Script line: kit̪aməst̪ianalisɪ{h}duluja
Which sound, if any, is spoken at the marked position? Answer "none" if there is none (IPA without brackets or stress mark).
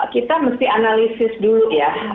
s